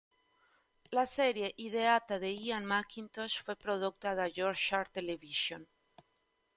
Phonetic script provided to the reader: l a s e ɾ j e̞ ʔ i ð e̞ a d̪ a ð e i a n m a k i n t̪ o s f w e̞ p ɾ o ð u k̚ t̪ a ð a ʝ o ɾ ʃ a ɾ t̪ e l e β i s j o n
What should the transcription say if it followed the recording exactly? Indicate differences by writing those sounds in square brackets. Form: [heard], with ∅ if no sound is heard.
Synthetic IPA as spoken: l a s e ɾ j e̞ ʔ i ð e̞ a [t̪] a ð e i a n m a k i n t̪ o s f w e̞ p ɾ o ð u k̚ t̪ a ð a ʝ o ɾ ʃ a ɾ t̪ e l e β i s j o n